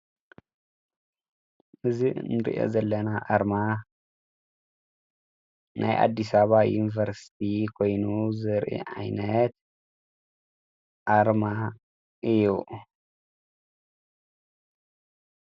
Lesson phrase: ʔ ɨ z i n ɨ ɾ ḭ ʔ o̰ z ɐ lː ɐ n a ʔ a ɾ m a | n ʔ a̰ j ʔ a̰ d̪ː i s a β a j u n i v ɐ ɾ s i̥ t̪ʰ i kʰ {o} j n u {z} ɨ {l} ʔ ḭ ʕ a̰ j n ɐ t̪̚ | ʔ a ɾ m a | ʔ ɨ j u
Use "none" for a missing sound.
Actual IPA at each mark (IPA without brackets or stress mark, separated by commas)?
o, z, ɾ